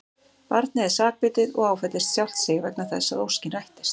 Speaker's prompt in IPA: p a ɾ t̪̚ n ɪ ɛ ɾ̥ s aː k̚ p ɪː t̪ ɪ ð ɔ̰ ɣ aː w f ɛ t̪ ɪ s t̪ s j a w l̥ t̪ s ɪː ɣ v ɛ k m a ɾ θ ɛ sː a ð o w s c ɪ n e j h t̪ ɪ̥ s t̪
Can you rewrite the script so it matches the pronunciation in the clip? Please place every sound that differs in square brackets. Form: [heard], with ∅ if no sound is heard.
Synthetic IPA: p a ɾ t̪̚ n ɪ ɛ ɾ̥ s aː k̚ p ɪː t̪ ɪ ð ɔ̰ ɣ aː w f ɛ t̪ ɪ s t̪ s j a w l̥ t̪ s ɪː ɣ v ɛ k [n] a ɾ θ ɛ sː a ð o w s c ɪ n [a] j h t̪ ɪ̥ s t̪